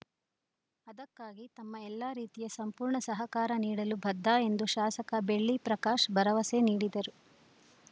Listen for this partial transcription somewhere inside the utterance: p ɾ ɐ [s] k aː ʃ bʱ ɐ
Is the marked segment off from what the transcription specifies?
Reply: yes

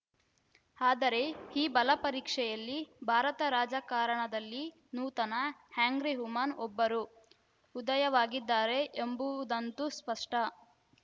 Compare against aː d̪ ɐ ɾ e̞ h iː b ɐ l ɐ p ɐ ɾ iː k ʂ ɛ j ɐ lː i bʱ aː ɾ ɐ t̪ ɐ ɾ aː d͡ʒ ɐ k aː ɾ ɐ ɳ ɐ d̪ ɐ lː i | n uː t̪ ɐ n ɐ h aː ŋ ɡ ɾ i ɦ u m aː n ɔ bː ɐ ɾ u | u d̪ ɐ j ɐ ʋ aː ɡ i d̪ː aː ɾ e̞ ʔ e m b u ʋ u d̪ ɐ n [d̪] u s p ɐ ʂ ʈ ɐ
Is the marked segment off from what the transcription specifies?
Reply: yes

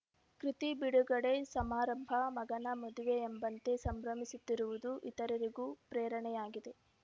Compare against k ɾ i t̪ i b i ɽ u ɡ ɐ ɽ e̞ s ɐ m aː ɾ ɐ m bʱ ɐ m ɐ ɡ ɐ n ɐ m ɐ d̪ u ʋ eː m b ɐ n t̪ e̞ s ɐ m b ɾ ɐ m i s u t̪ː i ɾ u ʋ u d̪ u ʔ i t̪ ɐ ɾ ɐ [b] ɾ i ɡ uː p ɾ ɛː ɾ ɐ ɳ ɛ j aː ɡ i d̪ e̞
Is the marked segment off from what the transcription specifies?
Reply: yes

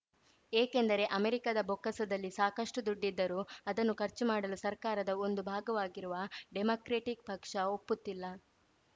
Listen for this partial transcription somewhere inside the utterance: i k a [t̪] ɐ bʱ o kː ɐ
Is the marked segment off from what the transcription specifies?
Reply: yes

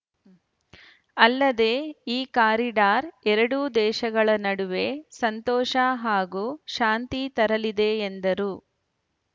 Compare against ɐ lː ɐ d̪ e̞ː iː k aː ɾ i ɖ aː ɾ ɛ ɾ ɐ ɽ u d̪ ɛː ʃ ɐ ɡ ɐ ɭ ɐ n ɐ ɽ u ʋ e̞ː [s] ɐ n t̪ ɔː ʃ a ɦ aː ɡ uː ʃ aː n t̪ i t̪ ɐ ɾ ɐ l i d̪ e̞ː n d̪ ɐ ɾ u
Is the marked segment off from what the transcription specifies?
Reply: no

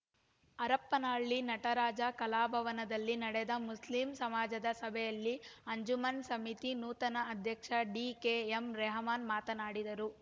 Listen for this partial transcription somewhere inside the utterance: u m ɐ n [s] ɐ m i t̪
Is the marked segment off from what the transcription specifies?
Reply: no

